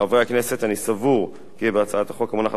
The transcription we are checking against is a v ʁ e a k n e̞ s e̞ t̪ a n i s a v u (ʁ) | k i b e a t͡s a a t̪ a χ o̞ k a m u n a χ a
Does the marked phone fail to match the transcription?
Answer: no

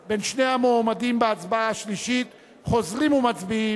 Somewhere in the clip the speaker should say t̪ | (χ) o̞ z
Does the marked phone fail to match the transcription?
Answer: no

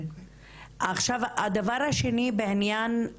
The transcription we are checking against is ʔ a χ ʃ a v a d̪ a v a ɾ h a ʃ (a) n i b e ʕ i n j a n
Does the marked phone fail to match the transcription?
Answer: yes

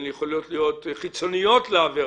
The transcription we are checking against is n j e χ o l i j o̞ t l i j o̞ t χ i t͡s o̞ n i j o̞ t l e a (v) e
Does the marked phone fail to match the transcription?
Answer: no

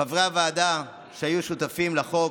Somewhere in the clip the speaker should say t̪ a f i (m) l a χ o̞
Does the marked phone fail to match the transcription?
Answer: no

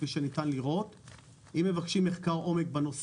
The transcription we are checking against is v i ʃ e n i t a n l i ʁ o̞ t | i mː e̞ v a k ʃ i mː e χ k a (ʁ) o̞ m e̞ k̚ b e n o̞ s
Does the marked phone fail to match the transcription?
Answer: no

